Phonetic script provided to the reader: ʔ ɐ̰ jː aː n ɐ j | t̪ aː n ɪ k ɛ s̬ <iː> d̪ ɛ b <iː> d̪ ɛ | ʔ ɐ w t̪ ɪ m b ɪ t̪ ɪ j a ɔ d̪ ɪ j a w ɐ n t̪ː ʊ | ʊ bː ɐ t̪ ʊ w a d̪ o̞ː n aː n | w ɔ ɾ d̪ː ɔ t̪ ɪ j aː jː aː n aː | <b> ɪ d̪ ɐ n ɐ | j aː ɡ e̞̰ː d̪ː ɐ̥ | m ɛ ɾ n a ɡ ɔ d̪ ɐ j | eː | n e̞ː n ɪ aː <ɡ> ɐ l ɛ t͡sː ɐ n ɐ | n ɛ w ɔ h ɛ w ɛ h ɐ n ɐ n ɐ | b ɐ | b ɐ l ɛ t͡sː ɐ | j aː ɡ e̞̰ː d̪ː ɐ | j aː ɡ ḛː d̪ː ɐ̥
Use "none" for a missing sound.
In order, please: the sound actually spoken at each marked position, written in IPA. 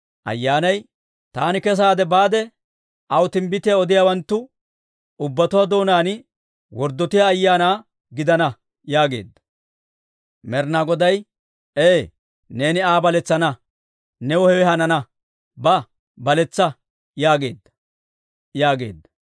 aː, aː, ɡ, b

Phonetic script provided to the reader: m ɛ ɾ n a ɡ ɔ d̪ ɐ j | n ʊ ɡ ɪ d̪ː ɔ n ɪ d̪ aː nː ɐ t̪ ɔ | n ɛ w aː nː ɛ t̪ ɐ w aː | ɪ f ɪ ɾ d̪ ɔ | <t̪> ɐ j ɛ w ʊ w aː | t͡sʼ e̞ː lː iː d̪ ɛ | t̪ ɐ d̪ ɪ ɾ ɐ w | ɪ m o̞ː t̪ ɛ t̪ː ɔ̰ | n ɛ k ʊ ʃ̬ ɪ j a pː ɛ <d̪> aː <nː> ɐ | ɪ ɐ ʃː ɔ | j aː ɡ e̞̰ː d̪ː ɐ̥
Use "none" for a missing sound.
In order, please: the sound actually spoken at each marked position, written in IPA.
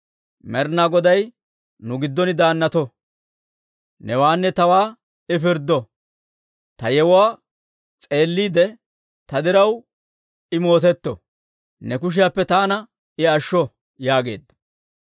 t̪, t̪, n

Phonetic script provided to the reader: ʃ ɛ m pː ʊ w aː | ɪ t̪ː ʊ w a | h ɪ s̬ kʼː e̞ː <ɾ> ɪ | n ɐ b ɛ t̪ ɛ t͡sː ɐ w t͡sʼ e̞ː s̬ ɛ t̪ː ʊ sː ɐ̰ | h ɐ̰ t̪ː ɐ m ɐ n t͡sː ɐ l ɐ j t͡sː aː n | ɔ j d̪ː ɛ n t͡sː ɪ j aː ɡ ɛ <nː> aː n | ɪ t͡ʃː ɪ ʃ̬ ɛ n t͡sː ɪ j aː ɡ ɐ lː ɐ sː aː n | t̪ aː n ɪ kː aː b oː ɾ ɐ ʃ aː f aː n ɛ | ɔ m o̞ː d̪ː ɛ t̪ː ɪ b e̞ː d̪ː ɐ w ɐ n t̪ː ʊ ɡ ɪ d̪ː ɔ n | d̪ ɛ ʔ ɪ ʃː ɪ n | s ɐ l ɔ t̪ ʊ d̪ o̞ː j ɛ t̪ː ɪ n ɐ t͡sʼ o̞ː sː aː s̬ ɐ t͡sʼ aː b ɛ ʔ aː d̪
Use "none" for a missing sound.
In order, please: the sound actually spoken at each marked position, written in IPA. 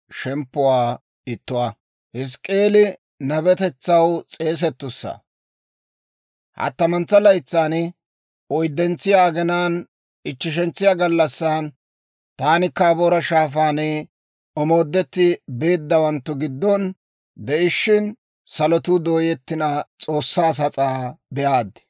l, n

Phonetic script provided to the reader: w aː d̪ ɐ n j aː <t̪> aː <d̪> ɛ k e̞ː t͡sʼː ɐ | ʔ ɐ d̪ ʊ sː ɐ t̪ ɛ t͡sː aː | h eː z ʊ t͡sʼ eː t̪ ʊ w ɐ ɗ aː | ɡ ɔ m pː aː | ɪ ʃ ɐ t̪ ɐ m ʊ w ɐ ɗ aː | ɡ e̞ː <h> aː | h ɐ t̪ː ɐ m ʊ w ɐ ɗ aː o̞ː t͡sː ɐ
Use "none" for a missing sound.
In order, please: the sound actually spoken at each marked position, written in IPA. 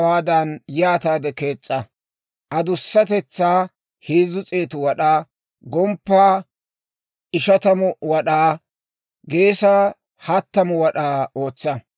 t̪, d̪, s

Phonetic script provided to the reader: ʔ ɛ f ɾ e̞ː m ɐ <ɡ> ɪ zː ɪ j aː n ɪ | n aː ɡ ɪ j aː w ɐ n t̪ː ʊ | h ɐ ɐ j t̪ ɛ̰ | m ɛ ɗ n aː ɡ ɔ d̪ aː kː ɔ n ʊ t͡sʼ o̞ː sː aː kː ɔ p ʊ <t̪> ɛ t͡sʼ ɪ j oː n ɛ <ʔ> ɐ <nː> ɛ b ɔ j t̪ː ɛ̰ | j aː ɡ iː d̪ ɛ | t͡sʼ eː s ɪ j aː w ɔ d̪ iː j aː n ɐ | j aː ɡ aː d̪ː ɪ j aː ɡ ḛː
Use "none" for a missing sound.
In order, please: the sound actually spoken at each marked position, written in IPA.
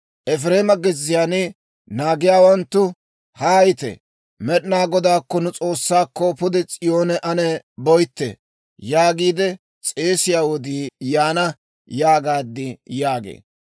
ɡ, d̪, ʔ, n

